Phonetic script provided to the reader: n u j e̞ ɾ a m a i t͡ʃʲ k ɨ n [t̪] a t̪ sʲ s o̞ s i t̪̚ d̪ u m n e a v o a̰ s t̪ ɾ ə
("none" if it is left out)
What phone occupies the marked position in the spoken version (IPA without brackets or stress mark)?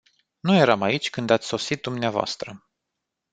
d̪